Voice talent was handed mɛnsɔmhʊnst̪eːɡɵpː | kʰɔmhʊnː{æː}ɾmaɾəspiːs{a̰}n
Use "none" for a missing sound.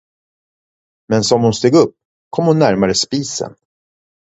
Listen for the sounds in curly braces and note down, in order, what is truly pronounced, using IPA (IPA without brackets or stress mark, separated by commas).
æ, ə̰